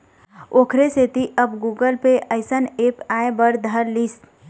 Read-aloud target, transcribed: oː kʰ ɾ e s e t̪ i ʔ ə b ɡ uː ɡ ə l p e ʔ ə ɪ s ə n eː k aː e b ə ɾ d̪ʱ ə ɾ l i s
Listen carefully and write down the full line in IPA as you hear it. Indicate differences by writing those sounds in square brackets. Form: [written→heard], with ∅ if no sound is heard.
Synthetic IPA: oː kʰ ɾ e s e t̪ i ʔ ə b ɡ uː ɡ ə l p e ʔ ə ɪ s ə n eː [k→p] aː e b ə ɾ d̪ʱ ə ɾ l i s